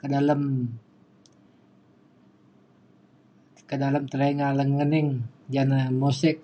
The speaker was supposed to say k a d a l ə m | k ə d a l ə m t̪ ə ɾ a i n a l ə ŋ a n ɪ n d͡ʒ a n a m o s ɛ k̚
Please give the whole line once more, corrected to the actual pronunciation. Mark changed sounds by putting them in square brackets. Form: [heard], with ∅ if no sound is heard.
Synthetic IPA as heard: k [ə] d a l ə m | k ə d a l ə m t̪ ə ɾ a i [ŋ] a l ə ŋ [ə] n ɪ [ŋ] d͡ʒ a n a m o s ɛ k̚